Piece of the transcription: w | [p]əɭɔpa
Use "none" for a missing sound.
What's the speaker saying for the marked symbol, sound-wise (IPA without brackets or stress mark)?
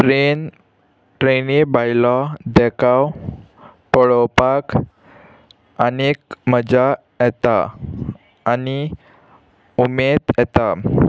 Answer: p